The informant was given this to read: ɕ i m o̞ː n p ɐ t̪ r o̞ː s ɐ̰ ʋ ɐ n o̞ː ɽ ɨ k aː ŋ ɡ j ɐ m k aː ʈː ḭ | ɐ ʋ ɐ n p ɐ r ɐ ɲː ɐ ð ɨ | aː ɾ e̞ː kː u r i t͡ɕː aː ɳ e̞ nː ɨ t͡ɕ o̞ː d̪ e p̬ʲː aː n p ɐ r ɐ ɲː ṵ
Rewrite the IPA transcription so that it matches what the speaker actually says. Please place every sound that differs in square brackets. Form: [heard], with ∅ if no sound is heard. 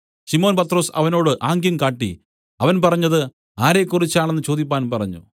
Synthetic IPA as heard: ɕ i m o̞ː n p ɐ t̪ r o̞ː s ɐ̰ ʋ ɐ n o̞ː ɽ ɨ [ʔ] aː ŋ ɡ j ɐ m k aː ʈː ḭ | ɐ ʋ ɐ n p ɐ r ɐ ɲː ɐ ð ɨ | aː ɾ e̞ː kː u r i t͡ɕː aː ɳ e̞ nː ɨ t͡ɕ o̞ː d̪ [i] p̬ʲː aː n p ɐ r ɐ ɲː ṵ